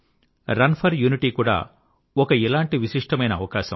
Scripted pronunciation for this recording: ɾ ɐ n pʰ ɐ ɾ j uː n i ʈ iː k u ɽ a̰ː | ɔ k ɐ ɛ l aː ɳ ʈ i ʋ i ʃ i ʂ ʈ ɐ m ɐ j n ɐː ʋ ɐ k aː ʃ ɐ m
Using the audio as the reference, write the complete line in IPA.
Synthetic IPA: ɾ ɐ n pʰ ɐ ɾ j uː n i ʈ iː k uː ɽ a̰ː | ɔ k ɐ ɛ l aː ɳ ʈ i ʋ i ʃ i ʂ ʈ ɐ m ɐ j n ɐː ʋ ɐ k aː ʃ ɐ m